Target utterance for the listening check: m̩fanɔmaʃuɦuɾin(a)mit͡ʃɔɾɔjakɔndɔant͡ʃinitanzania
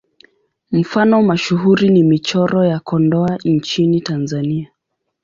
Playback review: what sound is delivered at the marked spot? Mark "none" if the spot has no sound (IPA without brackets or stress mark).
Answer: i